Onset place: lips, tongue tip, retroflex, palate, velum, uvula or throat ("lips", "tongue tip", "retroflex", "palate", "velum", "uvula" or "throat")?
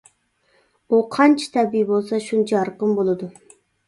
uvula